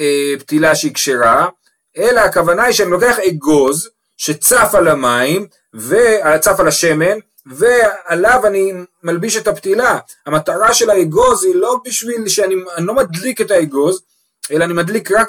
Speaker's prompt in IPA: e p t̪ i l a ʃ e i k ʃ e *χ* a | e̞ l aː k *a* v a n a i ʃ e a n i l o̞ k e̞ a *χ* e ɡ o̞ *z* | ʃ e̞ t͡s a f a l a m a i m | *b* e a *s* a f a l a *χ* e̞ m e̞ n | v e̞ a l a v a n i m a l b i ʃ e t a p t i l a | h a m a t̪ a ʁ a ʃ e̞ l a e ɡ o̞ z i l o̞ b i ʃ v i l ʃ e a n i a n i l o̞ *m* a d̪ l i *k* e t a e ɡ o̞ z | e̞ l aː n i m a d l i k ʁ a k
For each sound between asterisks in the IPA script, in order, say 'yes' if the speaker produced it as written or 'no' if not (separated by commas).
no, yes, yes, yes, no, no, no, yes, yes